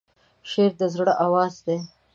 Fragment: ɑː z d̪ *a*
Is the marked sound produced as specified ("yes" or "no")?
no